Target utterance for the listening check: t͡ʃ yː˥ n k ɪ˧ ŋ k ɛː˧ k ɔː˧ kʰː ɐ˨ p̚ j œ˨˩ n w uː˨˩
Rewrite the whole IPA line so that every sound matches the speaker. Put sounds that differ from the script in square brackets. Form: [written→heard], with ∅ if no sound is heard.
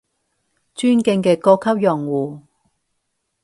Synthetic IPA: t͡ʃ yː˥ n k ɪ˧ ŋ k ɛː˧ k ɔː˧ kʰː [ɐ˨→ɐ˥] p̚ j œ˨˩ [n→ŋ] w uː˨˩